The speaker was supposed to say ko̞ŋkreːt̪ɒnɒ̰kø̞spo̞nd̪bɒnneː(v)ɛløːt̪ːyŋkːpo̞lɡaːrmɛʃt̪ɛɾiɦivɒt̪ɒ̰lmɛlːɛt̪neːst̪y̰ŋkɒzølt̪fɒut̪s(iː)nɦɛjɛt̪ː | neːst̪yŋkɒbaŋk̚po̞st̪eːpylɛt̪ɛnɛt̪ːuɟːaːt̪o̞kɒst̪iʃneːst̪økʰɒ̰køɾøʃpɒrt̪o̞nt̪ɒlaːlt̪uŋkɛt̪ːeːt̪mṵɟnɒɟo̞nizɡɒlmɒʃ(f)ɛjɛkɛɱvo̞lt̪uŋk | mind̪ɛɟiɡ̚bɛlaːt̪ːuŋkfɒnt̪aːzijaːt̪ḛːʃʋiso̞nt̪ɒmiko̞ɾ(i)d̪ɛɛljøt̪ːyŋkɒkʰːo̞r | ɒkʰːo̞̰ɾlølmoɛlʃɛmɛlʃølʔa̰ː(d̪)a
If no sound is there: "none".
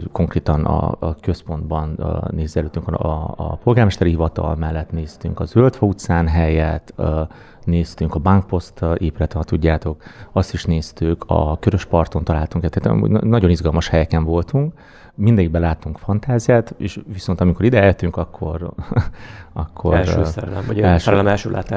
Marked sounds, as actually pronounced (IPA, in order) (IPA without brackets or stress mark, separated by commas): z, aː, h, i, t̪